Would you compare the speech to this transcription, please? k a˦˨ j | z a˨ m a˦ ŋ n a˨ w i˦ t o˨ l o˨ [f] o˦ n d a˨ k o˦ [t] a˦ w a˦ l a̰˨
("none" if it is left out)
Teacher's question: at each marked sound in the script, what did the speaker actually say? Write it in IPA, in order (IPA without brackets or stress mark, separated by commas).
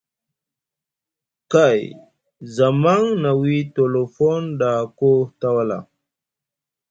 f, t